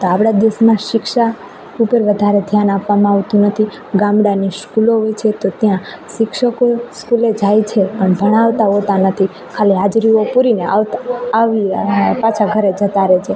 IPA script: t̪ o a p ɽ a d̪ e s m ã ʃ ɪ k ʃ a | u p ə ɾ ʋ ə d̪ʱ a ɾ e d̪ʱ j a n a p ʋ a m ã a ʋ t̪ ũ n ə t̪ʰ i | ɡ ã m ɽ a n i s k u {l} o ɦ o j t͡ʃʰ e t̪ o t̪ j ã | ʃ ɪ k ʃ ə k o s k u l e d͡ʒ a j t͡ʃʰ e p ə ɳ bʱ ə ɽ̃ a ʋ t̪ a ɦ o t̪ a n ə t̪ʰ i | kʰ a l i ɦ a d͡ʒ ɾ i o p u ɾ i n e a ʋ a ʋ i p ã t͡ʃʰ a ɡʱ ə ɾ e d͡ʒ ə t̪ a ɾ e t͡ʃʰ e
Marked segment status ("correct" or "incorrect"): correct